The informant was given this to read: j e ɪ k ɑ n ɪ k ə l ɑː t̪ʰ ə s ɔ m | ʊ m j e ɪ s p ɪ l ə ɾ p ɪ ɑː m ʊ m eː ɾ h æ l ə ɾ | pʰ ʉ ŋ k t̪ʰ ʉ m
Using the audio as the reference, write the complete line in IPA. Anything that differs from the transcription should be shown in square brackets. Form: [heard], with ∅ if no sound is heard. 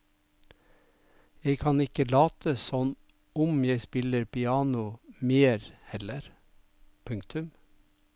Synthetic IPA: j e ɪ [kʰ] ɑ n ɪ k ə l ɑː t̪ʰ ə s ɔ [n] | ʊ m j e ɪ s p ɪ l ə ɾ p ɪ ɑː [n] ʊ m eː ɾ h [ɛ] l ə ɾ | pʰ ʉ ŋ k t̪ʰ ʉ m